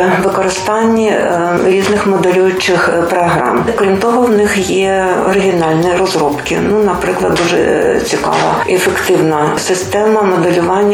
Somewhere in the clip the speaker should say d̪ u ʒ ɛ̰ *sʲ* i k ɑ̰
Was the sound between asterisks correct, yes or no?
no